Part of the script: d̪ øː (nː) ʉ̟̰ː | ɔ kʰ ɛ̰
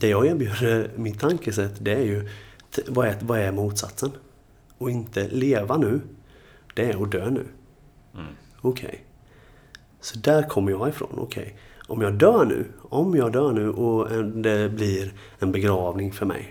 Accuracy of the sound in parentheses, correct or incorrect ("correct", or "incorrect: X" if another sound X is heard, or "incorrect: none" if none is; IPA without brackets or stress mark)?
incorrect: n